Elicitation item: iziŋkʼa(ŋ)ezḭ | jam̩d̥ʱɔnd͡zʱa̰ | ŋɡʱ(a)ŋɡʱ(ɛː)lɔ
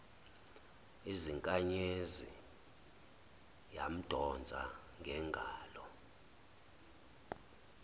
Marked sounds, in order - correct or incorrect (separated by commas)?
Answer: incorrect, incorrect, incorrect